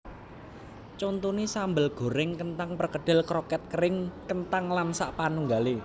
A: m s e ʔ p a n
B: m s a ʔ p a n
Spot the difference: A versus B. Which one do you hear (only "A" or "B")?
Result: B